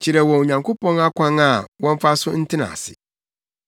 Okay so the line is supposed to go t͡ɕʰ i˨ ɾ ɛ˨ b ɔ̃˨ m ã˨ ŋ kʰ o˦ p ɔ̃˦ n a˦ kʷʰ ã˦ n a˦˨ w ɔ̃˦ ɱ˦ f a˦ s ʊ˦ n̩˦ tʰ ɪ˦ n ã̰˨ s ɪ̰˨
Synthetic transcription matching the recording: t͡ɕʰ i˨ ɾ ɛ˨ w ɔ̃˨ ɲ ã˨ ŋ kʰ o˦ p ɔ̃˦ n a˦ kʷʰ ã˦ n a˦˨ w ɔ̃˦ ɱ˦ f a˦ s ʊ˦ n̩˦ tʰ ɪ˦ n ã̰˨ s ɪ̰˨